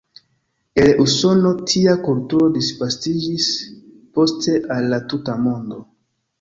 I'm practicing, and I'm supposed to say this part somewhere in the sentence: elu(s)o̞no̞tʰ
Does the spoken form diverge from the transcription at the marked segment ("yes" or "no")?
no